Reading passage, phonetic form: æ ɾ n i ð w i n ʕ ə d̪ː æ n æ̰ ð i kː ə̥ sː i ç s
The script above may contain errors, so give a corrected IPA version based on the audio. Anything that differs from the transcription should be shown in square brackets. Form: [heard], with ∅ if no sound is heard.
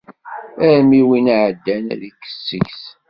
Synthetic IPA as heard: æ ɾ [m] i [∅] w i n ʕ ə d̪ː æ n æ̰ ð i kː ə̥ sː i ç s